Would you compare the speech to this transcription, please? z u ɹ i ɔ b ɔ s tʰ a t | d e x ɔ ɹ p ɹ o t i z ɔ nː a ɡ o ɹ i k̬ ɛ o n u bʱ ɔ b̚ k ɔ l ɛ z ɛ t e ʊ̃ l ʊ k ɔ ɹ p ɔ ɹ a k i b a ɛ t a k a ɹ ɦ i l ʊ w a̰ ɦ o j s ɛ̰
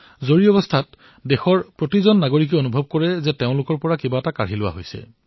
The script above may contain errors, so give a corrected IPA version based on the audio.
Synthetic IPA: z o ɹ i ɔ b ɔ s tʰ a t | d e x ɔ ɹ p ɹ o t i z ɔ nː a ɡ o ɹ i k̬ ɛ o n u bʱ ɔ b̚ k ɔ ɹ ɛ z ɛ t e ʊ̃ l ʊ k ɔ ɹ p ɔ ɹ a k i b a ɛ t a k a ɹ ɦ i l ʊ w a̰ ɦ o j s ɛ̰